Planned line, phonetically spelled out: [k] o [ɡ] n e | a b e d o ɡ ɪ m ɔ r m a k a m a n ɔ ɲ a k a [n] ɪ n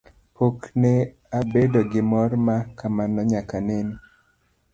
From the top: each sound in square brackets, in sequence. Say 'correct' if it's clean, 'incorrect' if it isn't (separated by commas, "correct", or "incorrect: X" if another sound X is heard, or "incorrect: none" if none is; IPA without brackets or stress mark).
incorrect: p, incorrect: k, correct